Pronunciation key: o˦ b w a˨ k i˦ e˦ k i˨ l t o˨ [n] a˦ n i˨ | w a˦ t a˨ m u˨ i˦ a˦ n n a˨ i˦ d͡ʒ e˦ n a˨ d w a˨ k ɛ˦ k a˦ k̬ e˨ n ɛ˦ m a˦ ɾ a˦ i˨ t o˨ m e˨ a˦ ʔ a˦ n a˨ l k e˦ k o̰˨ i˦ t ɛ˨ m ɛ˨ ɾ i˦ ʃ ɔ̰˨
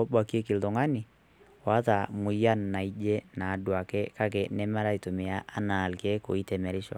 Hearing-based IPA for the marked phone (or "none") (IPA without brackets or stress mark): ŋ